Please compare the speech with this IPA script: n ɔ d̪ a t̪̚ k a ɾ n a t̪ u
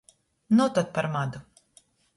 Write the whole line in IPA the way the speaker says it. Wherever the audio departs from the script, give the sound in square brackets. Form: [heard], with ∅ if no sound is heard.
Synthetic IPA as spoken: n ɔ [t̪] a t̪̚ [p] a ɾ [m] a [d̪] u